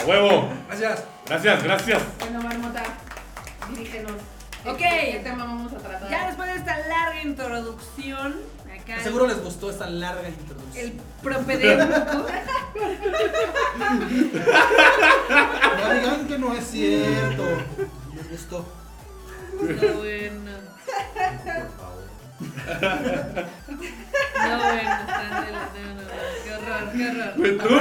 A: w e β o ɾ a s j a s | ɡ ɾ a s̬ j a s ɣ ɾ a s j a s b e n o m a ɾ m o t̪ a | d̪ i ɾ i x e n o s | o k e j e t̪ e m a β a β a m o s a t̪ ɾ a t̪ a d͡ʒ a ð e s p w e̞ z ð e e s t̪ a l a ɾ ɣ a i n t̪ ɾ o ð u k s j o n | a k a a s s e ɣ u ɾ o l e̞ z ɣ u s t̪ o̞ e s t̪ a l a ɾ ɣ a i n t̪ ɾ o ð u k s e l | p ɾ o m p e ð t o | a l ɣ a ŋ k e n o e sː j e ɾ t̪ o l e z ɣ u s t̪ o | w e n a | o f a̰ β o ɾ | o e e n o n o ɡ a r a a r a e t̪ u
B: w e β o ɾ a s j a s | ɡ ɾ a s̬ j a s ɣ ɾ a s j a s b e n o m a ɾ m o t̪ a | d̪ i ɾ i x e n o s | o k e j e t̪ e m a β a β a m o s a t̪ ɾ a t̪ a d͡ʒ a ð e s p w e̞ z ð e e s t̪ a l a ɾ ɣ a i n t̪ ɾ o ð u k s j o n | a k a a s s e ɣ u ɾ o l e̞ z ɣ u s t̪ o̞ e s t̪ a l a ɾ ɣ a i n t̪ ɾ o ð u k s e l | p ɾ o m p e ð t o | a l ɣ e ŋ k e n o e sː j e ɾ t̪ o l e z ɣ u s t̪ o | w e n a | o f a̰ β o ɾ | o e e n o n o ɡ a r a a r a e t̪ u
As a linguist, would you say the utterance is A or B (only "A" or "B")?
A